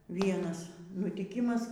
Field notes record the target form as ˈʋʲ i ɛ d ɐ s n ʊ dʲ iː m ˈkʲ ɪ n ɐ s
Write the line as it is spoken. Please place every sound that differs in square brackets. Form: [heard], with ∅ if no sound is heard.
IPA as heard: ˈʋʲ i ɛ [n] ɐ s n ʊ [tʲ] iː [∅] ˈkʲ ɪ [m] ɐ s